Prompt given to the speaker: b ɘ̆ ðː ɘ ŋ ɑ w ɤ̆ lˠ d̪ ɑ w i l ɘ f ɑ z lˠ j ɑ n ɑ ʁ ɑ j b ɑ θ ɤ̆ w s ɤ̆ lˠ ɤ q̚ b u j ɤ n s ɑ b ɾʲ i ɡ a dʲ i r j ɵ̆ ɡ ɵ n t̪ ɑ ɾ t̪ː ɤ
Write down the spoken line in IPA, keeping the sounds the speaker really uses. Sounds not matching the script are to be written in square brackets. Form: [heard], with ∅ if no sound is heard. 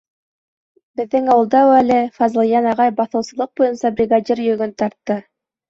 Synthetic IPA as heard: b ɘ̆ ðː ɘ ŋ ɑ w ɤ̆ lˠ d̪ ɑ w [æ] l ɘ f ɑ z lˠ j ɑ n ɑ ʁ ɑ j b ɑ θ ɤ̆ w s ɤ̆ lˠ ɤ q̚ b u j ɤ n s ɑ b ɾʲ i ɡ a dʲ i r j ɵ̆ ɡ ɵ n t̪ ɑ ɾ t̪ː ɤ